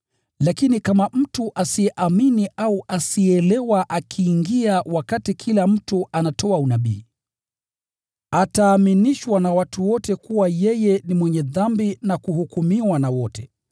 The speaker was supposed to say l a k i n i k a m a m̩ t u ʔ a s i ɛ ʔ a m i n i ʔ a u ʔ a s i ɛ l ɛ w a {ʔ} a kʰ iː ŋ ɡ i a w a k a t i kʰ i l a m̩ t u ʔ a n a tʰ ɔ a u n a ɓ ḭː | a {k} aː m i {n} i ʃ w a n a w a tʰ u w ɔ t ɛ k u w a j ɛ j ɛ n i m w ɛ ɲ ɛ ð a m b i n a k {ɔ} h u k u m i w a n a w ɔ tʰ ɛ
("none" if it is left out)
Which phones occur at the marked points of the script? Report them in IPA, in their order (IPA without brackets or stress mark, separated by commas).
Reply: ʔ, t, n, u